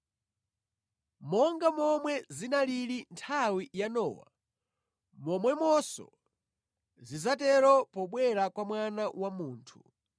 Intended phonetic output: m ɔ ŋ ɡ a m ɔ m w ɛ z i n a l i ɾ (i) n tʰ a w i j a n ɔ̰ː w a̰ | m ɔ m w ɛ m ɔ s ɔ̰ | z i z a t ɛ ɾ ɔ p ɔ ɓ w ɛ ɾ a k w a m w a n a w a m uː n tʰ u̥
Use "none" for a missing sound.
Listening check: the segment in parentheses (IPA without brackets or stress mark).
i